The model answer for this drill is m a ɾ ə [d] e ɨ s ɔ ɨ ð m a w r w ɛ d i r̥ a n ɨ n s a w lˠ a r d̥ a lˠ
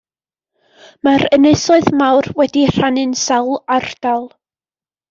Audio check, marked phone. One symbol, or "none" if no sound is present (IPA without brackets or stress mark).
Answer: n